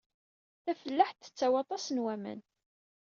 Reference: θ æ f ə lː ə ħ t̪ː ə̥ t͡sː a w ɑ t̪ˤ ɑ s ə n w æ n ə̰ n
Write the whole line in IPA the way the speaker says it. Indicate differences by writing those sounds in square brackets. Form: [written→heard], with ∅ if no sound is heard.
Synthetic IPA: θ æ f ə lː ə ħ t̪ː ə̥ t͡sː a w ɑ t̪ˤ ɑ s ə n w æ [n→m] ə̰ n